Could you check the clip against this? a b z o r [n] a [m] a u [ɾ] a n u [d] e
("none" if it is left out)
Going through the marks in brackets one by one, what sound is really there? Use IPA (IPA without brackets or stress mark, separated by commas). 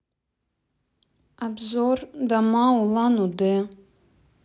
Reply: d, m, l, d